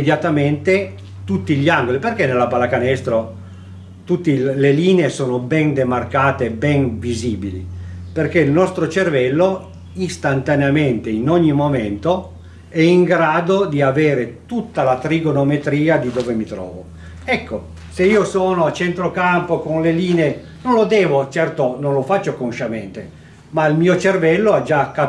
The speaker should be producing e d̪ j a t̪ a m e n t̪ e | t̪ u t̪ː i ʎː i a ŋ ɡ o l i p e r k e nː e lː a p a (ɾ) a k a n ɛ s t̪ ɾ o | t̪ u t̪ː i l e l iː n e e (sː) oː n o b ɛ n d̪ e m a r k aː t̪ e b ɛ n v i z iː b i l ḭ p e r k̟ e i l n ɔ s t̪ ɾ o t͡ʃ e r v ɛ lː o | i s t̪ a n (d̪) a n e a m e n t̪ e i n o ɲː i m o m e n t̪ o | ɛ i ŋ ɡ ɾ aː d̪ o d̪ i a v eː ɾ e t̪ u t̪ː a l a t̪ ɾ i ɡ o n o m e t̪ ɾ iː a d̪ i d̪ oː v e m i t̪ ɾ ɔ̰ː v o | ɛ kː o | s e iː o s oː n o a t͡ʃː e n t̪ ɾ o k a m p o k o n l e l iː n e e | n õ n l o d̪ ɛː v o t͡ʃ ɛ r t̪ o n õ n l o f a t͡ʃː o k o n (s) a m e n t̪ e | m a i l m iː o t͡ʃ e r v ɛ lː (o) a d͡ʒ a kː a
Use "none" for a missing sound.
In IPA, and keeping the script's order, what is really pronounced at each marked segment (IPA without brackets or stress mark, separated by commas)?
l, s, t̪, ʃ, o